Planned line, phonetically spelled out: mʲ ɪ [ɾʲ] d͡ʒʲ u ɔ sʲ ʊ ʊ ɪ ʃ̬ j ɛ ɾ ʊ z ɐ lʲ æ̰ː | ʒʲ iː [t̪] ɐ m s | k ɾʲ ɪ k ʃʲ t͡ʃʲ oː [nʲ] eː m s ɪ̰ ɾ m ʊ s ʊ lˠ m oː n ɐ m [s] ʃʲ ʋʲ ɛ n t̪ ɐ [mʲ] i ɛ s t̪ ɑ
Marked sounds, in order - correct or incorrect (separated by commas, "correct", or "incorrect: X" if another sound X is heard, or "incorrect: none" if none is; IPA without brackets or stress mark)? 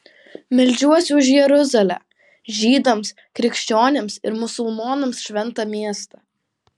incorrect: lʲ, incorrect: d̪, correct, correct, correct